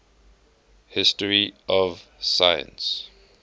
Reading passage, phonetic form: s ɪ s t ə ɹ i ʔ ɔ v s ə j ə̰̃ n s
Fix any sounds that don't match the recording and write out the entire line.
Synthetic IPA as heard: h ɪ s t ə ɹ i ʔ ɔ v s a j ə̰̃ n s

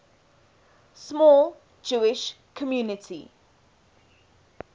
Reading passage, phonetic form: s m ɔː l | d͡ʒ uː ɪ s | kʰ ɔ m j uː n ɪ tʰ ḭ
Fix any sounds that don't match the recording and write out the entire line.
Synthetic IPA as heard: s m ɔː l | d͡ʒ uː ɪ ʃ | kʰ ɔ m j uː n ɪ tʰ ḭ

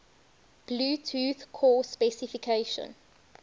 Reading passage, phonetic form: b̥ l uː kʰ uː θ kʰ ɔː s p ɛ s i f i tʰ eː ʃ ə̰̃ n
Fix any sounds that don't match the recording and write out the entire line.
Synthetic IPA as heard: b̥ l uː tʰ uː θ kʰ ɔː s p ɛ s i f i kʰ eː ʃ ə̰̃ n

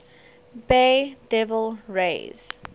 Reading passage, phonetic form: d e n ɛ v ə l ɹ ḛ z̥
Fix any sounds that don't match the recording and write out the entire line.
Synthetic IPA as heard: b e d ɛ v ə l ɹ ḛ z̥

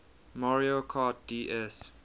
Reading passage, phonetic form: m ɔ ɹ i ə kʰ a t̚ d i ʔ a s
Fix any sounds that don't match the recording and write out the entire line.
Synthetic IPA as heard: m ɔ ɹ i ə kʰ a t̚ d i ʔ ɛ s

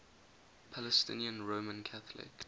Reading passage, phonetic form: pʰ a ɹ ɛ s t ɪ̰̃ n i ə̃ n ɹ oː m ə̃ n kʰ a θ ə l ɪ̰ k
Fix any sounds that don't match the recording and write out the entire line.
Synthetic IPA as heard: pʰ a l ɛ s t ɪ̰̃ n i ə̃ n ɹ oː m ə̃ n kʰ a θ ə l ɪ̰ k

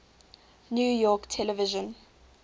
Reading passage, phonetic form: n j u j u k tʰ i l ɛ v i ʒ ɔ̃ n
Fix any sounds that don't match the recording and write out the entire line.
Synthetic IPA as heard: n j u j ɔ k tʰ ɛ l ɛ v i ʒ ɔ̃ n

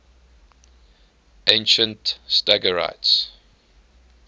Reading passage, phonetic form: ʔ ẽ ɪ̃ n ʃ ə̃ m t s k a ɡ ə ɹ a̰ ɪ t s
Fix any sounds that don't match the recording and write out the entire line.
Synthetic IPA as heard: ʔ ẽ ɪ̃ n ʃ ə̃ n t s t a ɡ ə ɹ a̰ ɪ t s

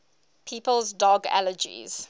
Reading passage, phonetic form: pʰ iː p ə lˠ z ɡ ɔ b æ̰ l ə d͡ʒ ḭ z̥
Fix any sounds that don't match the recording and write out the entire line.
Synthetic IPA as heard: pʰ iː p ə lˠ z d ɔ ɡ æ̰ l ə d͡ʒ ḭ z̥

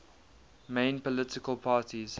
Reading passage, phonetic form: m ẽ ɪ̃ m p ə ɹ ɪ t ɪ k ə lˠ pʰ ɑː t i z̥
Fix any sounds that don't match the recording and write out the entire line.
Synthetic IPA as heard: m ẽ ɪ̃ n p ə l ɪ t ɪ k ə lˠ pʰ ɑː t i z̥

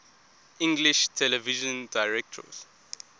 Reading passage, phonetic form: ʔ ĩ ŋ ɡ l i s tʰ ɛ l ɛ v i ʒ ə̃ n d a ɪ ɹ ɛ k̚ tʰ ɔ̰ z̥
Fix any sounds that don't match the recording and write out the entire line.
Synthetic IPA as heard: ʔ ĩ ŋ ɡ l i ʃ tʰ ɛ l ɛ v i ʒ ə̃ n d a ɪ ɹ ɛ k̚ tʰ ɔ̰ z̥

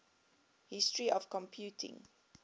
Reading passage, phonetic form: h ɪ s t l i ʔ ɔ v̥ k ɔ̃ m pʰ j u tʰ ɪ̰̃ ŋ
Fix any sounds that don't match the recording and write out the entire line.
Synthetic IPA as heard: h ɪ s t ɹ i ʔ ɔ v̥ k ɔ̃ m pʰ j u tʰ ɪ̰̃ ŋ

